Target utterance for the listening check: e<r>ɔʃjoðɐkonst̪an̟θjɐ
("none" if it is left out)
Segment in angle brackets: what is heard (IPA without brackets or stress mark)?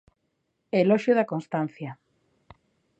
l